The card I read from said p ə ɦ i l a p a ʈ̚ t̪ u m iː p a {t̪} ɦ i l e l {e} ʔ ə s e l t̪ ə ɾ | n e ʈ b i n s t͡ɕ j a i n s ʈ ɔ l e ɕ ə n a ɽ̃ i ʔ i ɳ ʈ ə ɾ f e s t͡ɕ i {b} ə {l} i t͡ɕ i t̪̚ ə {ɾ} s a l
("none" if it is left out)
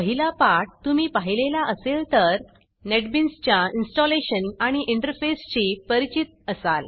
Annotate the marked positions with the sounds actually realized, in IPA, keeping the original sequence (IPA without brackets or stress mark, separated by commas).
none, a, p, ɾ, none